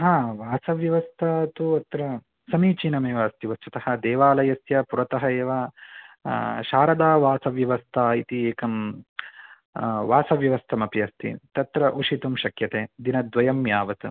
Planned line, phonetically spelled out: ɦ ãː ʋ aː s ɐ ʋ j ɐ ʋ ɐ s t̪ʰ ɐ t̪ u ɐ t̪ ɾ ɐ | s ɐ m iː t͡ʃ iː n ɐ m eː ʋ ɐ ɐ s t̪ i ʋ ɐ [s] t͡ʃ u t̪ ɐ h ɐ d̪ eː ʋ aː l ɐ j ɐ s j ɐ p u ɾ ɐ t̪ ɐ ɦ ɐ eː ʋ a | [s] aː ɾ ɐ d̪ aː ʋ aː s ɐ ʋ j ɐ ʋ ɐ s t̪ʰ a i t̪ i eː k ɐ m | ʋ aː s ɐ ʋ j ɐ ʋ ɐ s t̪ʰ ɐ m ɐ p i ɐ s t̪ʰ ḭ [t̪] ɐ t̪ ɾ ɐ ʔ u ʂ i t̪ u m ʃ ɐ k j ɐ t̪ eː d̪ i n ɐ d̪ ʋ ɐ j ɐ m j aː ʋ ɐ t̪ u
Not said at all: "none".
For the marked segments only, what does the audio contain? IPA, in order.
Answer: s, ʃ, t̪

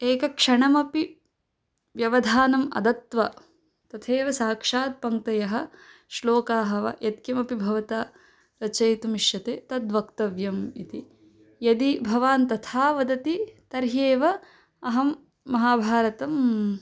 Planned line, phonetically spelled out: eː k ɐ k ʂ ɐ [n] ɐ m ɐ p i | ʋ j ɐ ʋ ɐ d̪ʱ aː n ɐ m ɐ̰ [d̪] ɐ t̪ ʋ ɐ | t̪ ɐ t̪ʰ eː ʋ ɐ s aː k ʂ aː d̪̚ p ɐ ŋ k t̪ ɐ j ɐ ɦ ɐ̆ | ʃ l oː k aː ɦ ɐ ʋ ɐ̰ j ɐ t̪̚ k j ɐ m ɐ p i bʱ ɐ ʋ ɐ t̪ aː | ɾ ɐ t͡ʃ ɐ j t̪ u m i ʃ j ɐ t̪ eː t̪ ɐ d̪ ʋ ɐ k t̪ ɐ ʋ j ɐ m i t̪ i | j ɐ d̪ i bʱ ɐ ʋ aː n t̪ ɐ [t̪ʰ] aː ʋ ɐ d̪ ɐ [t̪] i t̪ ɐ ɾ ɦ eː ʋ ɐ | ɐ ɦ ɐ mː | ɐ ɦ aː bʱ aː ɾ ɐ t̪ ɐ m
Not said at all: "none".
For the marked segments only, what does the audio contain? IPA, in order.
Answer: ɳ, d̪, t̪ʰ, t̪

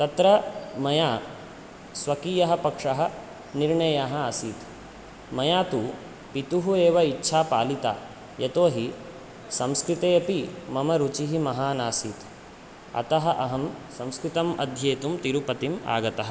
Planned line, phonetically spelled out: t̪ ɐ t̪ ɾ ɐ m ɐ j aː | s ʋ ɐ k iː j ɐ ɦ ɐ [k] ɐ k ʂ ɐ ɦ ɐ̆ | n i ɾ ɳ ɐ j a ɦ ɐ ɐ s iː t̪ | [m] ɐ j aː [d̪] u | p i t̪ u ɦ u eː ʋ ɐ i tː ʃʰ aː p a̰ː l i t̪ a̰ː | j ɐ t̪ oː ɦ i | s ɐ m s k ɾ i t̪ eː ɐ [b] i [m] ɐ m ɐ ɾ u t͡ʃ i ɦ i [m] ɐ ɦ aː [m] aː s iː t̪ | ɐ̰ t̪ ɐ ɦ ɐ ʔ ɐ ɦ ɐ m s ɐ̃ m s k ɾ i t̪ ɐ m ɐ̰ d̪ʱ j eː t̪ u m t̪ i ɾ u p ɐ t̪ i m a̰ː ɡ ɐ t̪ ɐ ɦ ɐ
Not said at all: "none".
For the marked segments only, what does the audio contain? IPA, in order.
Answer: p, m, t̪, p, m, m, n

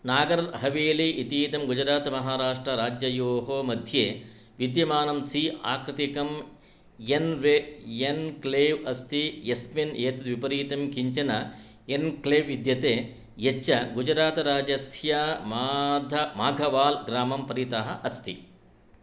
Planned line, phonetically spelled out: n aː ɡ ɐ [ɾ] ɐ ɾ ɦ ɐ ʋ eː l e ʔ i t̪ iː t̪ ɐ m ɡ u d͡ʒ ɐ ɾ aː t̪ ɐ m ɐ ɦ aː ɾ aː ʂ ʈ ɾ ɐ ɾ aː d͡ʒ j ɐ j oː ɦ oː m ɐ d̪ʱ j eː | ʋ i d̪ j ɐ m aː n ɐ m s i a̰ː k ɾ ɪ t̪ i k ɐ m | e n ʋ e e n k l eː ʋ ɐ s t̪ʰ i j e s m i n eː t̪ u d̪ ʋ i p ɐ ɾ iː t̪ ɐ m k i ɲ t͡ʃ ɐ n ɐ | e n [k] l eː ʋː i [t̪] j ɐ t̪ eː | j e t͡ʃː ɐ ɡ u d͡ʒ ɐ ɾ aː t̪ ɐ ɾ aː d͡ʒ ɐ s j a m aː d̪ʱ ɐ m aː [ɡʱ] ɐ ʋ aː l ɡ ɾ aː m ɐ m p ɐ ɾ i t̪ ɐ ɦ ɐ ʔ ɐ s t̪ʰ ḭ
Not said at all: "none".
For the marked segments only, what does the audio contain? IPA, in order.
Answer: ɾ, k, d̪, ɡʱ

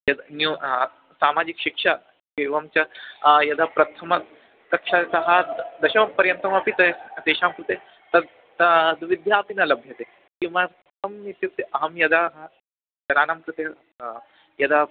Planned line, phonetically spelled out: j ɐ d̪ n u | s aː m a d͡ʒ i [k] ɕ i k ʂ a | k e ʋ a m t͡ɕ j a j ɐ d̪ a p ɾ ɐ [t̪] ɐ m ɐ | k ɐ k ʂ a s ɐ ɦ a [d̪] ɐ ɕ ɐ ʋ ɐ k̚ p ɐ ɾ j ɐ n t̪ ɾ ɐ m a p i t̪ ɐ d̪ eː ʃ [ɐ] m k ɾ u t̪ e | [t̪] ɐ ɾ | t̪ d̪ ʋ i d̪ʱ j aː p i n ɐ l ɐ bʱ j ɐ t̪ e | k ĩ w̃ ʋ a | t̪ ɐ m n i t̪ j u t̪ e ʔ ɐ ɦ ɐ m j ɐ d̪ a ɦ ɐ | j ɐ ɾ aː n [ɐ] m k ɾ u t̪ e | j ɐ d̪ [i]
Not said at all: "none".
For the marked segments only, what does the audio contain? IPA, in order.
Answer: k, t̪ʰ, d̪, a, t̪, a, a

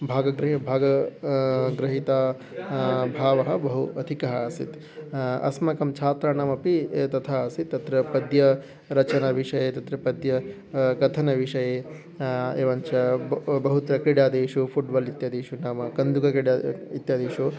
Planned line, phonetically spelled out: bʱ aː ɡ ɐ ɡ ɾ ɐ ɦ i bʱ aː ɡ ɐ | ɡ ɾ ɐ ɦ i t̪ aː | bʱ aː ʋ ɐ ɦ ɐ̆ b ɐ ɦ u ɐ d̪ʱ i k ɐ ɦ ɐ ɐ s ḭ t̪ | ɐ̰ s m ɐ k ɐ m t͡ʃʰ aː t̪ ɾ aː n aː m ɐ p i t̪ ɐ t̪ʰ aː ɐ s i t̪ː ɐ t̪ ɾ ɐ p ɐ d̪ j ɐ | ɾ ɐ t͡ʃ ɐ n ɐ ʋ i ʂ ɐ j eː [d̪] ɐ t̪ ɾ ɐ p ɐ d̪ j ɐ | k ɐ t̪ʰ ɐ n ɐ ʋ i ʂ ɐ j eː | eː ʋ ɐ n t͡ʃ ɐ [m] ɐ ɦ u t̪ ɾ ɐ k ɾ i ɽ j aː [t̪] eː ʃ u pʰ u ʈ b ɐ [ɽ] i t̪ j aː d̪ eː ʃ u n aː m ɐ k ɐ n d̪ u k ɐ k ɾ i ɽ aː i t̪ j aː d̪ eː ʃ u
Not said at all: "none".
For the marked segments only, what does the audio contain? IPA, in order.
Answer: t̪, b, d̪, l

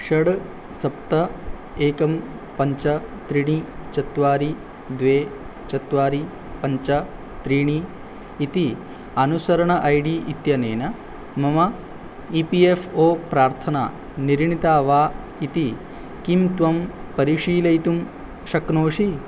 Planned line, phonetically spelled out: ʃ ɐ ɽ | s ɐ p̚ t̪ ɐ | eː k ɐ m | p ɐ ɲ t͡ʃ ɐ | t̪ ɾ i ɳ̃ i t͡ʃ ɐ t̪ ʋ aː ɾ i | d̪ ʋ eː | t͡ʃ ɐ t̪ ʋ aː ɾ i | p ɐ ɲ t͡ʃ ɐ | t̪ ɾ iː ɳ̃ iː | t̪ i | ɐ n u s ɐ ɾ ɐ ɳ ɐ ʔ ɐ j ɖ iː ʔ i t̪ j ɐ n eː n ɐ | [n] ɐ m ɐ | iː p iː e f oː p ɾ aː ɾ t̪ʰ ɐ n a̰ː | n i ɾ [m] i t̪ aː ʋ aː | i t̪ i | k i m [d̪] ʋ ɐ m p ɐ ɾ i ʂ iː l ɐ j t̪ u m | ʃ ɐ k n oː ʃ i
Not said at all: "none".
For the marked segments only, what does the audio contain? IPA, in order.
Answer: m, ɳ, t̪

